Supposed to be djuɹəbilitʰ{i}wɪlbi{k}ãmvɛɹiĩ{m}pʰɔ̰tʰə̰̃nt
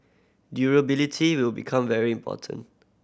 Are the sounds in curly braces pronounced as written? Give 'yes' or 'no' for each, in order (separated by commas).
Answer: yes, no, yes